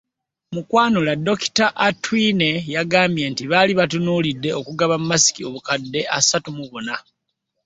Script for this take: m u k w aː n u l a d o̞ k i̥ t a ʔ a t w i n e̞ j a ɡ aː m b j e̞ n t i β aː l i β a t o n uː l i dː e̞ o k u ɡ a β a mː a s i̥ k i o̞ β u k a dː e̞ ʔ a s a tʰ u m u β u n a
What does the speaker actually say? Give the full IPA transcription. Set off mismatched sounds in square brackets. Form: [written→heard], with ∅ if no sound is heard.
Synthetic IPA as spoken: m u k w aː n u l a d o̞ k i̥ t a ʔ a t w i n e̞ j a ɡ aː m b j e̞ n t i β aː l i β a t [o→u] n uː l i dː e̞ o k u ɡ a β a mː a s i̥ k i o̞ β u k a dː e̞ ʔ a s a [tʰ→t] u m u β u n a